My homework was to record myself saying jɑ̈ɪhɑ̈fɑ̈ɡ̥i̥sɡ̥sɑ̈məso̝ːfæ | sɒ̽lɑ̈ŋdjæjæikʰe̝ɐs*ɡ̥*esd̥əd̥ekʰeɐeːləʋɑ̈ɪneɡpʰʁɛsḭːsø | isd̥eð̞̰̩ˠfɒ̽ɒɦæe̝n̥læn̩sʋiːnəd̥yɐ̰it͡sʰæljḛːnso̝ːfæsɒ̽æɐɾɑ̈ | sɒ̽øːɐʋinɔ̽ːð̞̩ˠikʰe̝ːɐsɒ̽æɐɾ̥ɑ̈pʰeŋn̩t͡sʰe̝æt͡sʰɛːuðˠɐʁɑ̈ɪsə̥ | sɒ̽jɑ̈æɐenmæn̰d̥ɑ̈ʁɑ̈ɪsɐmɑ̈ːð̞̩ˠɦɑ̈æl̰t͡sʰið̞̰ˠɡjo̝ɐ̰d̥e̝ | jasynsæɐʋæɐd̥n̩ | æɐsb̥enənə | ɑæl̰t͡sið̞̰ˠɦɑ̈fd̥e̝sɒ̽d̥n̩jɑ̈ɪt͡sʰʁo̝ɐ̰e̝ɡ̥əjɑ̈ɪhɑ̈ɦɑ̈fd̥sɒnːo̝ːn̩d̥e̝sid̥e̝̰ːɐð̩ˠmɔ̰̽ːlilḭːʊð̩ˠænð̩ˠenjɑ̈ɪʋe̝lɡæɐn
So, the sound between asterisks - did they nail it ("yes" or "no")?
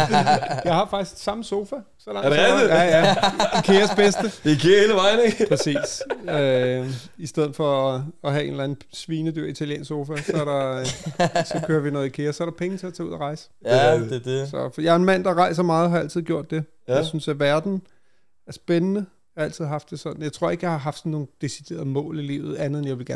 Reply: no